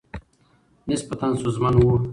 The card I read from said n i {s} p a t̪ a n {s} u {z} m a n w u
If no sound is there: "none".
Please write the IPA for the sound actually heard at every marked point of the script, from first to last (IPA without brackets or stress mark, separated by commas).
s, s, z